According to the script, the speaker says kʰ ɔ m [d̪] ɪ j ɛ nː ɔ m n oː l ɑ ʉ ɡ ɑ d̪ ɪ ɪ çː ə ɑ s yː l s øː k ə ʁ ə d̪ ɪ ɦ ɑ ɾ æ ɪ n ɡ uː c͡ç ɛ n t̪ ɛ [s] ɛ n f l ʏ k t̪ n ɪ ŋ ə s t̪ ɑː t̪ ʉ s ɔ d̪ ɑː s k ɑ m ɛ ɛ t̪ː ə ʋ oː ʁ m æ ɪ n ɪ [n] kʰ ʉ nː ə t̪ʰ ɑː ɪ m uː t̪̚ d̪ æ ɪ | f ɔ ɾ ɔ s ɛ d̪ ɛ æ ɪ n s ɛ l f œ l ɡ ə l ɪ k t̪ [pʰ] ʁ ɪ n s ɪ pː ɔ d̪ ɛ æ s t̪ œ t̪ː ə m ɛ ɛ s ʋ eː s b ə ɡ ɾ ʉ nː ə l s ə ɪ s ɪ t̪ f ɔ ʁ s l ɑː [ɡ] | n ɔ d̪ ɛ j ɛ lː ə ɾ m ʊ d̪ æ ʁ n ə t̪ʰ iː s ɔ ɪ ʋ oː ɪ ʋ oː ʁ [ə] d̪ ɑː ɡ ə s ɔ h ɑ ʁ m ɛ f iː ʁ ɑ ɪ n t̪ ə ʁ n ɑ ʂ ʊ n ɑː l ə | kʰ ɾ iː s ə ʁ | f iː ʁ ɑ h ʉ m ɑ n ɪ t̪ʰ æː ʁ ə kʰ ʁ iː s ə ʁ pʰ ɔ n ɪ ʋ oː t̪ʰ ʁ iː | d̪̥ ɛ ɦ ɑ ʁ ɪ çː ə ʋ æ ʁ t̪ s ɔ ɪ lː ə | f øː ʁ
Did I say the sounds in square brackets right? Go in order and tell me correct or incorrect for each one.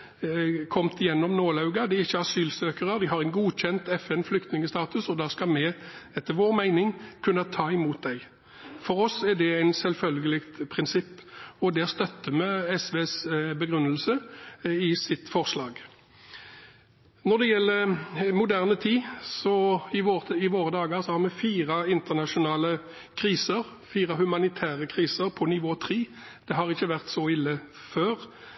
incorrect: t̪, incorrect: f, incorrect: ŋ, correct, correct, correct

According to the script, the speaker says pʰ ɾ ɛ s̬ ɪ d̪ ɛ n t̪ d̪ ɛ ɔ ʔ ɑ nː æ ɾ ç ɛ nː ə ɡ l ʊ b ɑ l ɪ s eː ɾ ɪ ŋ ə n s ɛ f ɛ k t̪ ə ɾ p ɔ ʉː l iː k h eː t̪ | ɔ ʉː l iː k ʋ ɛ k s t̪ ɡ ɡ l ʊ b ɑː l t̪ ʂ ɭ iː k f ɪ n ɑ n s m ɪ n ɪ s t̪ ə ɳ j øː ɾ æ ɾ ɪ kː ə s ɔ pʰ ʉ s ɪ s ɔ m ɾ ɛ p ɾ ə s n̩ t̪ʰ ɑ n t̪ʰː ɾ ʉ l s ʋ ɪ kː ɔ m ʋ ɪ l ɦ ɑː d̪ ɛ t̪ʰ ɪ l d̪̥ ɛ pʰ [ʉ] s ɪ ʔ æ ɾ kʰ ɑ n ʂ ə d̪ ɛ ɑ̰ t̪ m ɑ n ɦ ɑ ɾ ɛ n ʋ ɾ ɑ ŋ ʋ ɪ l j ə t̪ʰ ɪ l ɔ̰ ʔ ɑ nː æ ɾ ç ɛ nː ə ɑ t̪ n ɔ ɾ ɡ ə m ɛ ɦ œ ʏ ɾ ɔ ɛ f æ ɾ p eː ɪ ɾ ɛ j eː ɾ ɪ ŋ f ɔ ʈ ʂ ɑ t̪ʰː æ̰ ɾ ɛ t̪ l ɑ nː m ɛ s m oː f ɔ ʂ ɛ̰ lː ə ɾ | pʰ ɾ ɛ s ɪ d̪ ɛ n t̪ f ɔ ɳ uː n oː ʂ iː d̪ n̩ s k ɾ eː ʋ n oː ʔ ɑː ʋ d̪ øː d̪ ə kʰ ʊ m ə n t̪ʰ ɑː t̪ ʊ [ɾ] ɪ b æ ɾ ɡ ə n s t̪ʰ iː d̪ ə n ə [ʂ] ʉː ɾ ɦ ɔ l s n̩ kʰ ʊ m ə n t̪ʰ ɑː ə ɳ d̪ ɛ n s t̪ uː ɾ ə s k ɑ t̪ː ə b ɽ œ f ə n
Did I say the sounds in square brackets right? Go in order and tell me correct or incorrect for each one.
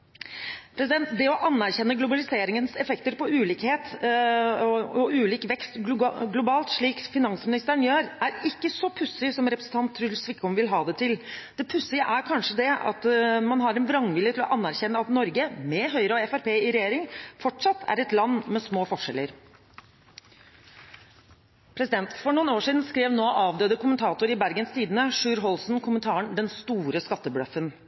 correct, correct, correct

